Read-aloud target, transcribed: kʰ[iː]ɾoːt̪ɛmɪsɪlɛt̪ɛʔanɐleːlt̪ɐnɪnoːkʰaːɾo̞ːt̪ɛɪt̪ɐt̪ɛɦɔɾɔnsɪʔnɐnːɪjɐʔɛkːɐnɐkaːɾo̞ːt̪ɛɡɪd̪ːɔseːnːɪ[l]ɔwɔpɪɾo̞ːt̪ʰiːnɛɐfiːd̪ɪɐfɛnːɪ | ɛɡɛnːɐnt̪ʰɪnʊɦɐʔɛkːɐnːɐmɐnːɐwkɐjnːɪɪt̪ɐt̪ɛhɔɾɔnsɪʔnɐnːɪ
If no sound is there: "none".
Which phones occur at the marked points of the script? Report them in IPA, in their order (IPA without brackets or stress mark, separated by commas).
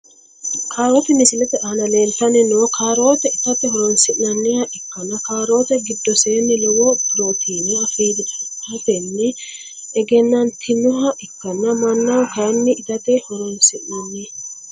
aː, l